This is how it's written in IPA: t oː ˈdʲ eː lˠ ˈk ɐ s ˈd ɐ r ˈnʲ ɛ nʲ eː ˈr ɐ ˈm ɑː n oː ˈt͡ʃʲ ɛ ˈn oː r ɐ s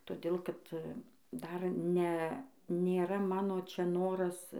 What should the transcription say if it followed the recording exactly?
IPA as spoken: t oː ˈdʲ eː lˠ ˈk ɐ t ˈd ɐ r ˈnʲ ɛ nʲ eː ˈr ɐ ˈm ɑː n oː ˈt͡ʃʲ ɛ ˈn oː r ɐ s